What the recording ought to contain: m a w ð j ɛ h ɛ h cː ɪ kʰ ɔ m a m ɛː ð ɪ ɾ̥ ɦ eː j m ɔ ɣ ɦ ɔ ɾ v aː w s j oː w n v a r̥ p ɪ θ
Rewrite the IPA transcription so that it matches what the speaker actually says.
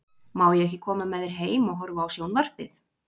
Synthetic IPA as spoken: m a w ð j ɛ ɛ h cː ɪ kʰ ɔː m a m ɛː ð ɪ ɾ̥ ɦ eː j m ɔ ɣ ɦ ɔ ɾ v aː w s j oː w n v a r̥ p ɪ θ